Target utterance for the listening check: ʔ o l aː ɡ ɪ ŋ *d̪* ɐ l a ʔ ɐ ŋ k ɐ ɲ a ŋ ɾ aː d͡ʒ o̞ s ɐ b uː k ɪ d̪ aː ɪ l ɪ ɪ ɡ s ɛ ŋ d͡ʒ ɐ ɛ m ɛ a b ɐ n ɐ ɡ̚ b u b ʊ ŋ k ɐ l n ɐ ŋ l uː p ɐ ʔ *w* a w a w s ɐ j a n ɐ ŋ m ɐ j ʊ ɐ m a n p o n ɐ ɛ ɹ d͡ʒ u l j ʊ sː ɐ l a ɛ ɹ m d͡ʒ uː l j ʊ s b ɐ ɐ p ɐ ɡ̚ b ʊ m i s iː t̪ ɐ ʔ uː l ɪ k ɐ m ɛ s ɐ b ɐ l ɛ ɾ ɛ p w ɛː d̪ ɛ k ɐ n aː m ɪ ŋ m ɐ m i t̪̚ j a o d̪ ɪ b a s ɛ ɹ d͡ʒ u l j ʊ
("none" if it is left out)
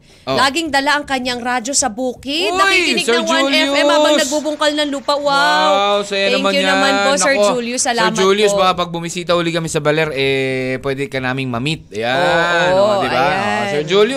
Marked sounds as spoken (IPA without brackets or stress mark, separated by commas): d̪, w